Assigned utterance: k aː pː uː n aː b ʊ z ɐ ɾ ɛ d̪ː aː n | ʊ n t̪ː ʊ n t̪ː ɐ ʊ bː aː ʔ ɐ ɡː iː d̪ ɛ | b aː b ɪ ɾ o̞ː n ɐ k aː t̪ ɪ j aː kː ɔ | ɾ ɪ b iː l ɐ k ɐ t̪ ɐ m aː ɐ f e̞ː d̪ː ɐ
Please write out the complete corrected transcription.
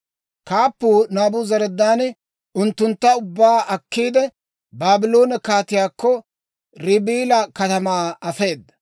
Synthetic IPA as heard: k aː pː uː n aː b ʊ z ɐ ɾ ɛ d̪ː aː n | ʊ n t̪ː ʊ n t̪ː ɐ ʊ bː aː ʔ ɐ kː iː d̪ ɛ | b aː b ɪ l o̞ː n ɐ k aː t̪ ɪ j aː kː ɔ | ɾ ɪ b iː l ɐ k ɐ t̪ ɐ m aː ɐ f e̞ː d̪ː ɐ